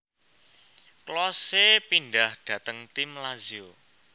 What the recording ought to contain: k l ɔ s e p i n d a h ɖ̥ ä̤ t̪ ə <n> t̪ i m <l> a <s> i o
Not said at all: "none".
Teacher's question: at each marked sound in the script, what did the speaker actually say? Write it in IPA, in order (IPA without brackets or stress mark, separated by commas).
ŋ, l, z